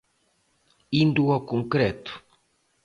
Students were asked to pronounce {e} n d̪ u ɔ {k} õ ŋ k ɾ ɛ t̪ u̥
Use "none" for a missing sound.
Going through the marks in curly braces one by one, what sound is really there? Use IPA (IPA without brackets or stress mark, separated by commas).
i, k